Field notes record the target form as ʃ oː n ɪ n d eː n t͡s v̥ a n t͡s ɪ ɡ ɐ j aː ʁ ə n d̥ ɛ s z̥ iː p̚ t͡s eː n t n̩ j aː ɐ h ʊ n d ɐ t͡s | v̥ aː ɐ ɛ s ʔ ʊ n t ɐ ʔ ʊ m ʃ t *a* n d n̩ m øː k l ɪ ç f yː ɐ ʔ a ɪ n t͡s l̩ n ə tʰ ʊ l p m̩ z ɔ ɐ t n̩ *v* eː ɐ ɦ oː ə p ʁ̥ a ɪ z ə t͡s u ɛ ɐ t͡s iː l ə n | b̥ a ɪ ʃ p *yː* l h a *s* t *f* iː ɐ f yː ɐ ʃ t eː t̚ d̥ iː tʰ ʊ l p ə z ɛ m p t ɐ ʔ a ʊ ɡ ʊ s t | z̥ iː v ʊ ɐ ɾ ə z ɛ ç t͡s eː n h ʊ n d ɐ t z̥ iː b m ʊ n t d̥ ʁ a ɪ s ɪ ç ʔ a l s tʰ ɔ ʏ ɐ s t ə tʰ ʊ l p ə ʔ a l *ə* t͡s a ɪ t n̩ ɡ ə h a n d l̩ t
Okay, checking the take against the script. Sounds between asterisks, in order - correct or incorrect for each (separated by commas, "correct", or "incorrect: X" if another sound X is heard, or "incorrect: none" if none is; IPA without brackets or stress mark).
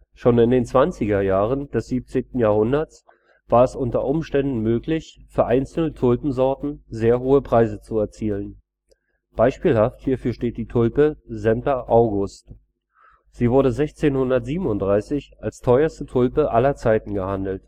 incorrect: ɛ, incorrect: z, incorrect: iː, incorrect: f, incorrect: h, incorrect: ɐ